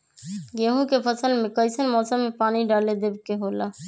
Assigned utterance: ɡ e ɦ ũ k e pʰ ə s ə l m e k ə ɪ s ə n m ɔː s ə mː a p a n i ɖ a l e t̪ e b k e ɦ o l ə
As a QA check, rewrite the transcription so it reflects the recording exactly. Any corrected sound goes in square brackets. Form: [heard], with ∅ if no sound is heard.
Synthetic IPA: ɡ e ɦ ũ k e pʰ ə s ə l m e k ə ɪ s ə n m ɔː s ə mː [e] p a n i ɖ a l e [d̪] e b k e ɦ o l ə